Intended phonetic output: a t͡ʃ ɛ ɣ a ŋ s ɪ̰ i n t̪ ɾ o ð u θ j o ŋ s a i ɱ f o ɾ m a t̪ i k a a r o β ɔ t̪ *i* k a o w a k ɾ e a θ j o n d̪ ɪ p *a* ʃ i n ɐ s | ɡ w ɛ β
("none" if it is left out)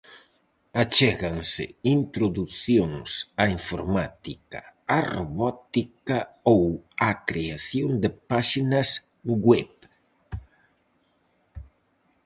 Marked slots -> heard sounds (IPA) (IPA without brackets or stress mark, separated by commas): i, a